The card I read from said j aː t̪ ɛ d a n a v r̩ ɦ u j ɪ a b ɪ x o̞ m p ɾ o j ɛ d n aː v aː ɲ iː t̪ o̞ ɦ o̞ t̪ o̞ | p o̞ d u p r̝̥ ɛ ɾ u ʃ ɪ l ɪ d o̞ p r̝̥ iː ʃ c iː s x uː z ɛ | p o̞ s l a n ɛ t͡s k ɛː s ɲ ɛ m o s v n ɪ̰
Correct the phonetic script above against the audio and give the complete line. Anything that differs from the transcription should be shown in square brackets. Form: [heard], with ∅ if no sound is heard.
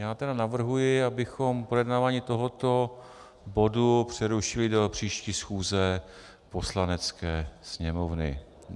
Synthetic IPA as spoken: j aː t̪ ɛ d a n a v r̩ ɦ u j ɪ a b ɪ x o̞ m p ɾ o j ɛ d n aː v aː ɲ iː t̪ o̞ ɦ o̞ t̪ o̞ | [b] o̞ d u p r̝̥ ɛ ɾ u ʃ ɪ l ɪ d o̞ p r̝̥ iː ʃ c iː s x uː z ɛ | p o̞ s l a n ɛ t͡s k ɛː s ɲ ɛ m o [∅] v n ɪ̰